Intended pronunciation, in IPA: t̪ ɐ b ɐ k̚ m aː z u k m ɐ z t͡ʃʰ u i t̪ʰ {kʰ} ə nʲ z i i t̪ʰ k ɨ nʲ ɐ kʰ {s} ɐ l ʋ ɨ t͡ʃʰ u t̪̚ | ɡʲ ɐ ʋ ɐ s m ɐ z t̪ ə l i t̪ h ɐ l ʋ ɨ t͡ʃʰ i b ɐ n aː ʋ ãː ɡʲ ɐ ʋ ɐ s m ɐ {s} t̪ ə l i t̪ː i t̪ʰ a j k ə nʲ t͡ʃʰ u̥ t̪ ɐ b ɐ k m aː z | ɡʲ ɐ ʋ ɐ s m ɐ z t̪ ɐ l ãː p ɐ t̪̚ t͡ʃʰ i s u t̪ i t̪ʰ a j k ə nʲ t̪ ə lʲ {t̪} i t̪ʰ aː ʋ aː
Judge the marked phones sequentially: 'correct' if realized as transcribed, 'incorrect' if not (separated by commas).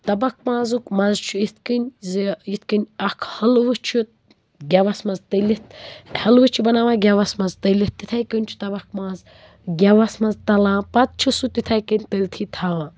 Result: incorrect, incorrect, incorrect, incorrect